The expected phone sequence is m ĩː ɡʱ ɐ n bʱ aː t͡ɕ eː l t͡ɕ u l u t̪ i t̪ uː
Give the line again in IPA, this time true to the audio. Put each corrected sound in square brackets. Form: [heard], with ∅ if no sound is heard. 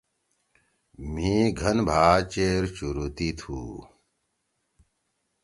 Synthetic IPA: m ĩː ɡʱ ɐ n bʱ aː t͡ɕ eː [ɾ] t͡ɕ u [ɾ] u t̪ i [t̪ʰ] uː